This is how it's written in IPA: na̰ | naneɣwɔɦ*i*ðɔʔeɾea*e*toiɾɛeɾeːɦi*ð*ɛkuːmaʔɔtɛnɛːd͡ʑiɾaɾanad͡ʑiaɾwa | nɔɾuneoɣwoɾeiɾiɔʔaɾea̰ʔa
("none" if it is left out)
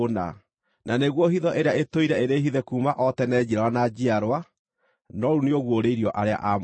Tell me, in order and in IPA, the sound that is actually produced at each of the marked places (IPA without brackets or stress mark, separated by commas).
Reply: i, e, ð